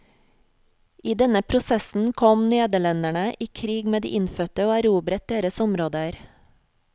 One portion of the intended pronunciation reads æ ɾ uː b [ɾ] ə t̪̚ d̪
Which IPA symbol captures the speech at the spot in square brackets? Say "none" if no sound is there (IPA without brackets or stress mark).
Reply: ɾ